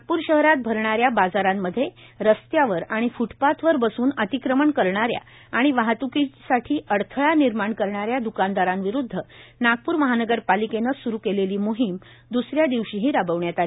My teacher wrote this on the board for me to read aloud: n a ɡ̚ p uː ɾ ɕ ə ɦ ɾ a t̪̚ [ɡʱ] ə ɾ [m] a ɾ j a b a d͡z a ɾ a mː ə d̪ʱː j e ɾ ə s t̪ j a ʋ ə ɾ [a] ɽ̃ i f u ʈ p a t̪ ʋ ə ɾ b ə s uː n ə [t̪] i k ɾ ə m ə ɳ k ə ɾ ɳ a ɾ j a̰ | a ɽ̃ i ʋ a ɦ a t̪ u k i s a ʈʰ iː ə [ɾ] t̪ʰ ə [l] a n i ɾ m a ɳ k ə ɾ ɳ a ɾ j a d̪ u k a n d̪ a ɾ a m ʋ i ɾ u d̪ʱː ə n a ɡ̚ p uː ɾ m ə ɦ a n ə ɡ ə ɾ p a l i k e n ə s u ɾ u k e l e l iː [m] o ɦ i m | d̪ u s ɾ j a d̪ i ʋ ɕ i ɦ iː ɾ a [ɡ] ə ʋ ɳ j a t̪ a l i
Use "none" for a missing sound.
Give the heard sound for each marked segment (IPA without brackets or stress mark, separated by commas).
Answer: bʱ, ɳ, a, t̪, ɽ, ɭ, m, b